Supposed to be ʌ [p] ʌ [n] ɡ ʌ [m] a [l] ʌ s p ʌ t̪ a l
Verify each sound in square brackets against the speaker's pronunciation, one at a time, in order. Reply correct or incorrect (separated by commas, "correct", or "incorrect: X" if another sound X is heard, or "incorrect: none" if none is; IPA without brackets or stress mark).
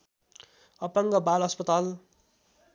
correct, incorrect: ŋ, incorrect: b, correct